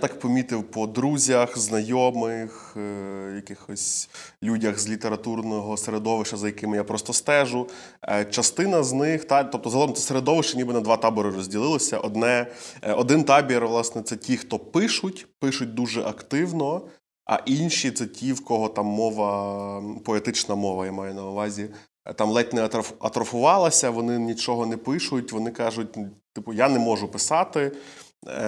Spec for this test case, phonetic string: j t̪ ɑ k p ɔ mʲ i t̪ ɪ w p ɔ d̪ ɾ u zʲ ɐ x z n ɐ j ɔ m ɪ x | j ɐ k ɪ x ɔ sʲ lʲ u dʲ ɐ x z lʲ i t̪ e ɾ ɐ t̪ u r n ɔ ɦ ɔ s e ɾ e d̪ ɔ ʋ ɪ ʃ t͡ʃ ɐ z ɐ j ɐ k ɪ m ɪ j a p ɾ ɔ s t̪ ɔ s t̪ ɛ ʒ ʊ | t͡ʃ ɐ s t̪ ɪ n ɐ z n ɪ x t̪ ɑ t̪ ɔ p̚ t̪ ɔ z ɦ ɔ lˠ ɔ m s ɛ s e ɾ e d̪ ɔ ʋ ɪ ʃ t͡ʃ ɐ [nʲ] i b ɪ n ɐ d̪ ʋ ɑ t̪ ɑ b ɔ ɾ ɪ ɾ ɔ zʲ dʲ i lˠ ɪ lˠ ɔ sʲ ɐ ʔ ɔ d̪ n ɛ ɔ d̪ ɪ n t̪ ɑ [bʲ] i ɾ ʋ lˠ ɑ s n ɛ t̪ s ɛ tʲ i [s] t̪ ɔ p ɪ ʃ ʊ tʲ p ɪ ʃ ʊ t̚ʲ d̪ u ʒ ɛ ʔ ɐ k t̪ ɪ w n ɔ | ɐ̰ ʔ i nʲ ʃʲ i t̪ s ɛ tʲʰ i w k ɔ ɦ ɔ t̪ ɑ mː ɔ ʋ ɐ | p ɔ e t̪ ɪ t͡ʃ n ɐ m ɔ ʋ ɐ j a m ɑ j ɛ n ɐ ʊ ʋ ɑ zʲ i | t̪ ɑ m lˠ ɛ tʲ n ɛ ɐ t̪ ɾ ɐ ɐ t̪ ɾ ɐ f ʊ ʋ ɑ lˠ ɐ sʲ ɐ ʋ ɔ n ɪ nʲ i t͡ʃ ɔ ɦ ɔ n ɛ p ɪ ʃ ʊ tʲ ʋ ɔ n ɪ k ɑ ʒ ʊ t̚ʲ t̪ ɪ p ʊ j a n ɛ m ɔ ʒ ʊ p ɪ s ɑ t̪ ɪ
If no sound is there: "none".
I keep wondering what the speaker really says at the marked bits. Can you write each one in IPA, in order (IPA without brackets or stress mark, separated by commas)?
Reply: nʲ, bʲ, x